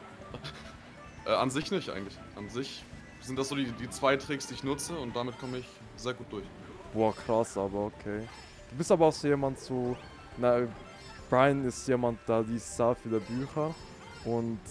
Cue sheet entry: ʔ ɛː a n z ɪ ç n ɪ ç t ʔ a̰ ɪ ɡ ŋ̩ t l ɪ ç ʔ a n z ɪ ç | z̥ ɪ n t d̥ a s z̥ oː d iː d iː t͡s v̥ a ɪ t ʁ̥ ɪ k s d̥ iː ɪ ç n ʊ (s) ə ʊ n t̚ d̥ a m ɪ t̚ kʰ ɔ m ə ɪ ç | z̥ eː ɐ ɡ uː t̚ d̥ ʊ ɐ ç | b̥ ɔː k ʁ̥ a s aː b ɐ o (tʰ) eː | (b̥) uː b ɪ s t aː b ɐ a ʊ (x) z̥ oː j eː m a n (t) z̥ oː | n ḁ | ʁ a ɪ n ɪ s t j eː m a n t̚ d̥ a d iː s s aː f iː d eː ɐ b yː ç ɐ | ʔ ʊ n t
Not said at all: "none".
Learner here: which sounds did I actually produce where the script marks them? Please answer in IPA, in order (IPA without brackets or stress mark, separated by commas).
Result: t͡s, kʰ, d̥, x, t